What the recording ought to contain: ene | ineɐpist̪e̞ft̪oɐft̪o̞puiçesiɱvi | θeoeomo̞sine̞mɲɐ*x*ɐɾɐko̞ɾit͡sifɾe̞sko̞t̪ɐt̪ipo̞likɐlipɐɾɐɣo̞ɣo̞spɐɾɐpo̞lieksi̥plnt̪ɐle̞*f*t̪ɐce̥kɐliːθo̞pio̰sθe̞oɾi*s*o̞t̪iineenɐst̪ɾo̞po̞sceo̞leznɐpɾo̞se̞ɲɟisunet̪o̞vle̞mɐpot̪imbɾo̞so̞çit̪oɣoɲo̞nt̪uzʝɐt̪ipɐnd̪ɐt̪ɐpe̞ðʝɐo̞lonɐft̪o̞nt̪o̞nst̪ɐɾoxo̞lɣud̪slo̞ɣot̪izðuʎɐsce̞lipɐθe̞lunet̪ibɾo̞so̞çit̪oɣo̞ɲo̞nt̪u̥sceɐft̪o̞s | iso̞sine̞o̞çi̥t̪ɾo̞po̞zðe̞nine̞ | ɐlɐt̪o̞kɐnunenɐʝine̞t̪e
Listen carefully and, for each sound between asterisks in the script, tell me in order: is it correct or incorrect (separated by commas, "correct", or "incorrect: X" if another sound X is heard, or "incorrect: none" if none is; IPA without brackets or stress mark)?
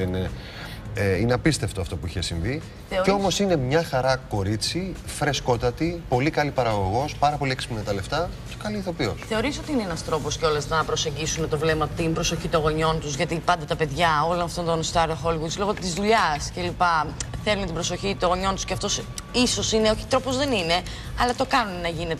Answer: correct, correct, correct